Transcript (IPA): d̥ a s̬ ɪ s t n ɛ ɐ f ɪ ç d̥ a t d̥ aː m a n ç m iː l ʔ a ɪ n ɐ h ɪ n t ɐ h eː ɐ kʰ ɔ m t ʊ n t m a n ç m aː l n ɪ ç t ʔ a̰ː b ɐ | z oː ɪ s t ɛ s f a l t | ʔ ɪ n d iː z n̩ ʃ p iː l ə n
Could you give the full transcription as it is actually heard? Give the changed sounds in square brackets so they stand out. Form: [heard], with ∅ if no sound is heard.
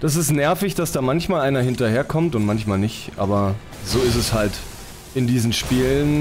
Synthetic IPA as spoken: d̥ a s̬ ɪ s t n ɛ ɐ f ɪ ç d̥ a [s] d̥ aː m a n ç m [aː] l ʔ a ɪ n ɐ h ɪ n t ɐ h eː ɐ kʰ ɔ m t ʊ n t m a n ç m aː l n ɪ ç t ʔ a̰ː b ɐ | z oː ɪ s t ɛ s [h] a l t | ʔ ɪ n d iː z n̩ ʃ p iː l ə n